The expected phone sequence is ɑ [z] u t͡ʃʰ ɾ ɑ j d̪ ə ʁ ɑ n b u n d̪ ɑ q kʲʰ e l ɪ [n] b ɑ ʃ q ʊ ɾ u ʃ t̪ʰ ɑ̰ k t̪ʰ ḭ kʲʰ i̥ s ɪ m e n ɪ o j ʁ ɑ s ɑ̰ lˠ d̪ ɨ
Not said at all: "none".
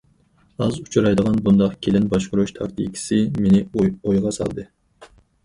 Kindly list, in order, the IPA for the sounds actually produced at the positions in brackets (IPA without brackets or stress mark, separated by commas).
z, n